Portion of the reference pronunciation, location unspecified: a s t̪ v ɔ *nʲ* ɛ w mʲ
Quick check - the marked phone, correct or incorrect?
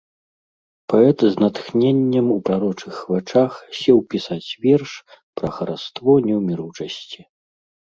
correct